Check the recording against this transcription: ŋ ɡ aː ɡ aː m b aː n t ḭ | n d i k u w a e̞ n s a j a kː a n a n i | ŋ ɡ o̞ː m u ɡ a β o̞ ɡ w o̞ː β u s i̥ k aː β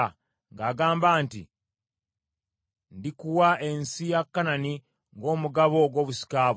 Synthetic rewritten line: ŋ ɡ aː ɡ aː m b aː n t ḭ | n d i k u w a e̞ n s i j a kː a n a n i | ŋ ɡ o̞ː m u ɡ a β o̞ ɡ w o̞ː β u s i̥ k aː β